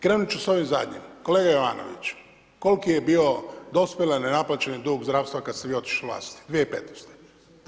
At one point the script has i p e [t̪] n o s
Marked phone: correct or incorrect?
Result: correct